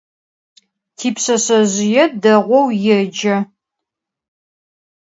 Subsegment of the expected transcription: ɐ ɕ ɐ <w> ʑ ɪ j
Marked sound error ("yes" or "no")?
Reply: yes